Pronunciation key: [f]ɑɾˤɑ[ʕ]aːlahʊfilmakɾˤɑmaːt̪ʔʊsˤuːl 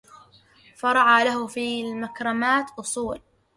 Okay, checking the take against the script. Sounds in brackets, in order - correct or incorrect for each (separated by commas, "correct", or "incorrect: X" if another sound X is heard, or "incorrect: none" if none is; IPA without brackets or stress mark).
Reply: correct, correct